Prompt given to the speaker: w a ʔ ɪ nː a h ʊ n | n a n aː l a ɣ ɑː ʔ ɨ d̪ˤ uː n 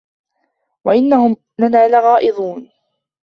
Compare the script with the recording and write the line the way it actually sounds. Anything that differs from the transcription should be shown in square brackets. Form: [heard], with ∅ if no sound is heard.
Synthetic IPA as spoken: w a ʔ ɪ nː a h ʊ [m] | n a n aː l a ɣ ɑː ʔ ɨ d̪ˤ uː n

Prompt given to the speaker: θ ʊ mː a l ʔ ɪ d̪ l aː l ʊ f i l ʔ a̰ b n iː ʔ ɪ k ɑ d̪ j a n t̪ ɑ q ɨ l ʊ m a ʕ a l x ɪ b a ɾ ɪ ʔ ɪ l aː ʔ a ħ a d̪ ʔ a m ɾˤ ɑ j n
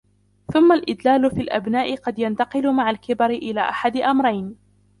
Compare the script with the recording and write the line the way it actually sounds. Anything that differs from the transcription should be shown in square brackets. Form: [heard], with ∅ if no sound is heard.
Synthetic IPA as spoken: θ ʊ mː a l ʔ ɪ d̪ l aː l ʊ f i l ʔ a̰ b n [aː] ʔ ɪ [q] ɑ d̪ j a n t̪ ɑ q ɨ l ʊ m a ʕ a l [k] ɪ b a ɾ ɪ ʔ ɪ l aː ʔ a ħ a d̪ ʔ a m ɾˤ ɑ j n

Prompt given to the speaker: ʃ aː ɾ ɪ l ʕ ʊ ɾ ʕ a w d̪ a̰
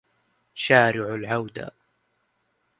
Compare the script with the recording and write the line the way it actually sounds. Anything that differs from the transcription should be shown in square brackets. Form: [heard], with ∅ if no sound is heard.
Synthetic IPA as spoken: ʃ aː ɾ ɪ [∅] ʕ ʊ [l] ʕ a w d̪ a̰

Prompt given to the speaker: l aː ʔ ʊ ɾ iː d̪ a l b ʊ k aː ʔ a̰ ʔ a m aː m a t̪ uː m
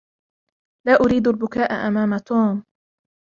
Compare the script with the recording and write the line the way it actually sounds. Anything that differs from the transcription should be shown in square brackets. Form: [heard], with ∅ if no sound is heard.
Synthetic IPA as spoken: l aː ʔ ʊ ɾ iː d̪ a l b ʊ k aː ʔ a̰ ʔ a m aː m a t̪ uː m

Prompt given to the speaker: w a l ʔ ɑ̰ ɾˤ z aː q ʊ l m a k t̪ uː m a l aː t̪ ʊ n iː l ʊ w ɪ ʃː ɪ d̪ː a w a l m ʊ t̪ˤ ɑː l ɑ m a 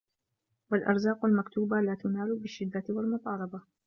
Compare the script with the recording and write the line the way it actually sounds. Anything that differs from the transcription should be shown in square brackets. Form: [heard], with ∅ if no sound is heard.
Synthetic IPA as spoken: w a l ʔ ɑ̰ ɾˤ z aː q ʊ l m a k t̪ uː [b] a l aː t̪ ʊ n [aː] l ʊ [b] ɪ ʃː ɪ d̪ː a w a l m ʊ t̪ˤ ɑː l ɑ [b] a

